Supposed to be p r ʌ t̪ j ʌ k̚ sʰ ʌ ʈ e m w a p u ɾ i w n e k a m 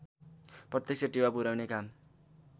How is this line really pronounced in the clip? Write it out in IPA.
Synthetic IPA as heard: p r ʌ t̪ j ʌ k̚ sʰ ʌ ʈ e w a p u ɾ a w n e k a m